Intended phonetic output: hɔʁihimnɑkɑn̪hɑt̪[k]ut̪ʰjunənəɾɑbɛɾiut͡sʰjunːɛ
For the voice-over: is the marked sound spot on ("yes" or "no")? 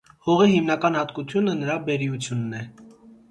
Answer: yes